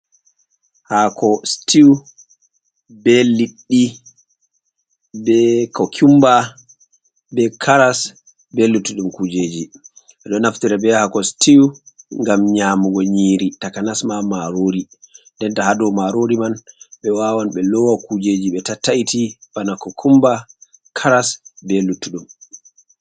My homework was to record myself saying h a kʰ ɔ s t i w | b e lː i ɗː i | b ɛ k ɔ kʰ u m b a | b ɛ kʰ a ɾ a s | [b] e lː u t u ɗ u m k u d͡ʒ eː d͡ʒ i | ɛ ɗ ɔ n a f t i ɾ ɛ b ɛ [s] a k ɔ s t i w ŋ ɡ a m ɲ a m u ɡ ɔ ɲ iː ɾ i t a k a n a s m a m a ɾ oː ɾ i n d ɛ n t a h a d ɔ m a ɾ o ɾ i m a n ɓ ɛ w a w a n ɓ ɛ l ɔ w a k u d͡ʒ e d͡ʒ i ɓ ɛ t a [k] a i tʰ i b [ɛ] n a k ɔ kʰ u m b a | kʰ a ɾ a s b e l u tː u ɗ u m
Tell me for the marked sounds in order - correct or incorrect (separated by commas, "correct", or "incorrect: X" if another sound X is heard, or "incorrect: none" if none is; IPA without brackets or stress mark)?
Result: correct, incorrect: h, incorrect: t, incorrect: a